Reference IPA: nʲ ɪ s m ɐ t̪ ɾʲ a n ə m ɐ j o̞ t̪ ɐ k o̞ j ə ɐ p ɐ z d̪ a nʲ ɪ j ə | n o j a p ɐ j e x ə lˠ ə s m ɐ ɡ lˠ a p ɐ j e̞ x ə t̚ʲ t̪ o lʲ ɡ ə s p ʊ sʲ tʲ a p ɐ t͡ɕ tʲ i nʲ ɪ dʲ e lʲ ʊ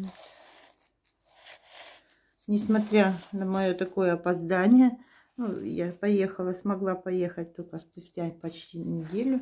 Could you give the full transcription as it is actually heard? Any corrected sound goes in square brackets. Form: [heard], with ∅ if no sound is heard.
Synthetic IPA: nʲ ɪ s m ɐ t̪ ɾʲ a n ə m ɐ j o̞ t̪ ɐ k o̞ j ə ɐ p ɐ z d̪ a nʲ ɪ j ə | n [u] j a p ɐ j e x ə lˠ ə s m ɐ ɡ lˠ a p ɐ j e̞ x ə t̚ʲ t̪ o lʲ [k] ə s p ʊ sʲ tʲ a p ɐ t͡ɕ tʲ i nʲ ɪ dʲ e lʲ ʊ